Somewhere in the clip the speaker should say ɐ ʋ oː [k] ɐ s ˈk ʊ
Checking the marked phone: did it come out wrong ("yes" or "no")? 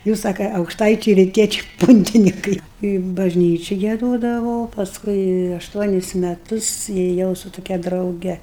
yes